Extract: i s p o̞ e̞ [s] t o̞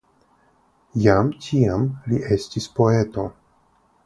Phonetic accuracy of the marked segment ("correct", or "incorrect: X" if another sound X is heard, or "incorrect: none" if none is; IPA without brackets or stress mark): incorrect: none